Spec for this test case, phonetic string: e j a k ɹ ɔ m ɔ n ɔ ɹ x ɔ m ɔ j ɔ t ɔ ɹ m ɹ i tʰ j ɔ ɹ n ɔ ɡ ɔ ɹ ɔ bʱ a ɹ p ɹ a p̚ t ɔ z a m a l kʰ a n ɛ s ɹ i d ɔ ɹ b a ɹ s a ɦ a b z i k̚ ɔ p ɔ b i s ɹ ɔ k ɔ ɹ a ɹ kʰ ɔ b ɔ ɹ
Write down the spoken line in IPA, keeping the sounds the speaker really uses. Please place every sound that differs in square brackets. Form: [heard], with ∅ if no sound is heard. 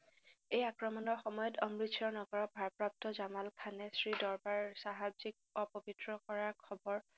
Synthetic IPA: e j a k ɹ ɔ m ɔ n ɔ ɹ x ɔ m ɔ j ɔ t ɔ [∅] m ɹ i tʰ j ɔ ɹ n ɔ ɡ ɔ ɹ ɔ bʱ a ɹ p ɹ a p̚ t ɔ z a m a l kʰ a n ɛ s ɹ i d ɔ ɹ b a ɹ s a ɦ a b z i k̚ ɔ p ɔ b i [t] ɹ ɔ k ɔ ɹ a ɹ kʰ ɔ b ɔ ɹ